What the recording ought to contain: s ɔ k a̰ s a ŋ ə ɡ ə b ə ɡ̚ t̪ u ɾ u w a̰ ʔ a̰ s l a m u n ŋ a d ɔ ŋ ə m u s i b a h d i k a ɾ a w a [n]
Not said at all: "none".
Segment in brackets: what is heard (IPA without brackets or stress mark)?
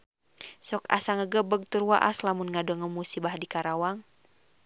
ŋ